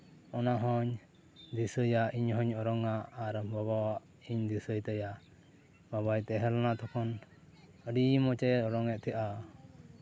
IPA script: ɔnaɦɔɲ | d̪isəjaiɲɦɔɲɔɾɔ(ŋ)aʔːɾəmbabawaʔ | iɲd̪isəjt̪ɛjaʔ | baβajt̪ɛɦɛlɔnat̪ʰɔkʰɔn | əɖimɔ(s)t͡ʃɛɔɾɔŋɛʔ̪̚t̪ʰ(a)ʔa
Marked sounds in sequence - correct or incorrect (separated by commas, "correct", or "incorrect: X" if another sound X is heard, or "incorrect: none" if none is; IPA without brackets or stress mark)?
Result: correct, incorrect: none, incorrect: ɛ